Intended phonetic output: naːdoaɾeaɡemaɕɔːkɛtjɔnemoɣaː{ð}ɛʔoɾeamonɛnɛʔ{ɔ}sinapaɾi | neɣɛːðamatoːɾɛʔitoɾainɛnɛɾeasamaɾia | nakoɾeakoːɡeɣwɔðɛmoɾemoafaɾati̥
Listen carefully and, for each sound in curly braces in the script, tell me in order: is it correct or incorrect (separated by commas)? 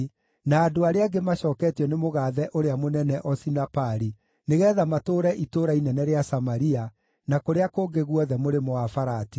correct, correct